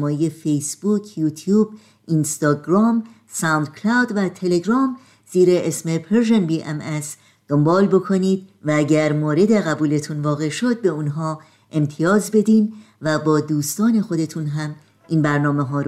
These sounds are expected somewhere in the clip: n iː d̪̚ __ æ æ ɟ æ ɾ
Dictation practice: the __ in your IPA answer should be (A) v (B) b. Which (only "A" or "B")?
A